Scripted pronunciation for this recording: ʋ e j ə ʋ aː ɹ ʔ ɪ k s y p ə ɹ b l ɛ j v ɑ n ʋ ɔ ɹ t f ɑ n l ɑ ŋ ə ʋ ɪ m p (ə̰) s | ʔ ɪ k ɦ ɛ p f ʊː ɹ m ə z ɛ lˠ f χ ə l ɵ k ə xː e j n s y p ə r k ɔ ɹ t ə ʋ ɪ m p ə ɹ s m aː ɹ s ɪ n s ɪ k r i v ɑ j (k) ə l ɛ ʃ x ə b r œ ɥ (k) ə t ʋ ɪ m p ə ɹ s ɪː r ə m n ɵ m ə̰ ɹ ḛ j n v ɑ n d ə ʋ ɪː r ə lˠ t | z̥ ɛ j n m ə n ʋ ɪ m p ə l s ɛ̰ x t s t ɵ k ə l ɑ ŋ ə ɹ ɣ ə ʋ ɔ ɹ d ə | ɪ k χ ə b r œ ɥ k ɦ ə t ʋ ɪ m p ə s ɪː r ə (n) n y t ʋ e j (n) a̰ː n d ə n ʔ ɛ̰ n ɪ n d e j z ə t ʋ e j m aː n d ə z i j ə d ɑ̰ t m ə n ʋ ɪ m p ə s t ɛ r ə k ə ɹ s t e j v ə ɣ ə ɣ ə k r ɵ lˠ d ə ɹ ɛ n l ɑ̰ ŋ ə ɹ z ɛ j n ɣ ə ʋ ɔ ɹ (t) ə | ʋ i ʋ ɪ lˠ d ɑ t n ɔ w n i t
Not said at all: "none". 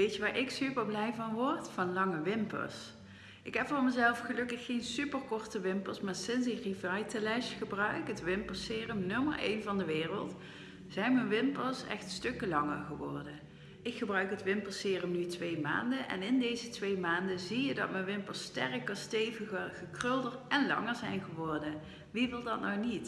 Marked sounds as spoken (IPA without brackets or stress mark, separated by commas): ə̰, t, k, m, m, d